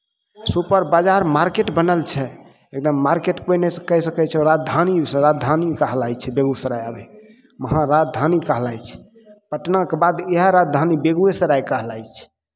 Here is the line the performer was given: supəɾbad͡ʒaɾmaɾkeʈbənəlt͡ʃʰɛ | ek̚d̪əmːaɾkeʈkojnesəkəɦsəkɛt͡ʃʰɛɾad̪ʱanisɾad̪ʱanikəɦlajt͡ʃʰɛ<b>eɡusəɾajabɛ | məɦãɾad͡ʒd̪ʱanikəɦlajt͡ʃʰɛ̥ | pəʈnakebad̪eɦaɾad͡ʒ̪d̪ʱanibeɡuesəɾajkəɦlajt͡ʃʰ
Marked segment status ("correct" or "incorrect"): correct